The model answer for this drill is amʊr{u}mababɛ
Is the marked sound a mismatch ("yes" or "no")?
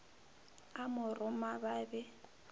yes